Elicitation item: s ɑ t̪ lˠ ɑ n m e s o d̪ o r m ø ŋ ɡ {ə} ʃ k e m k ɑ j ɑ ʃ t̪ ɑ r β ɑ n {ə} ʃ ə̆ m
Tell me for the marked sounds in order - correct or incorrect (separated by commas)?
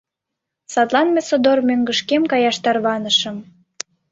correct, correct